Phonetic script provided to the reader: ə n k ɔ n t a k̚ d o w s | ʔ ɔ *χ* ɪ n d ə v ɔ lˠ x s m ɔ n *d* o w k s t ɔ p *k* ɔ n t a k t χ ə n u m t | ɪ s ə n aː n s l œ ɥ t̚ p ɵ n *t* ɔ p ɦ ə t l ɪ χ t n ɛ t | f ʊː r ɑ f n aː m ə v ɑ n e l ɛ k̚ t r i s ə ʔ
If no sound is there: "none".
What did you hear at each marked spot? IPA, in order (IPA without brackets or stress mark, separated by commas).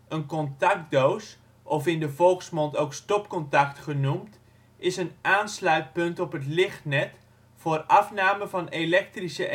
f, t, k, t